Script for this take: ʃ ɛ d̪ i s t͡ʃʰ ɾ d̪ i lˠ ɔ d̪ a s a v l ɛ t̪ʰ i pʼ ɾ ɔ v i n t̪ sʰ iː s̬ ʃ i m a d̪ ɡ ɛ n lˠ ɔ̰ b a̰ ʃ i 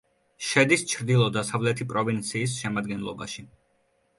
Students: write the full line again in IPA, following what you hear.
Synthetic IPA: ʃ ɛ d̪ i s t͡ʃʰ ɾ d̪ i lˠ ɔ d̪ a s a v l ɛ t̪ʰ i pʼ ɾ ɔ v i n t̪ sʰ iː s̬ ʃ ɛ m a d̪ ɡ ɛ n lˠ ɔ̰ b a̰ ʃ i